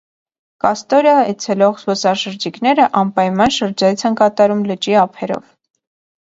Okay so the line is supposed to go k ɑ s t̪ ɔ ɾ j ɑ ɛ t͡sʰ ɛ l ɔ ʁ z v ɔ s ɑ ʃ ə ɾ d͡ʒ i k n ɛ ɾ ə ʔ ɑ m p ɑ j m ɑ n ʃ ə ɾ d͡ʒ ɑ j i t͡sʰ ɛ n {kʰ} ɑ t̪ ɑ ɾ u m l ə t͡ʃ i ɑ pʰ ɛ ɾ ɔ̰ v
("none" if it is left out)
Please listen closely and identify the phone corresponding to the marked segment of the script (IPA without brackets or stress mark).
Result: k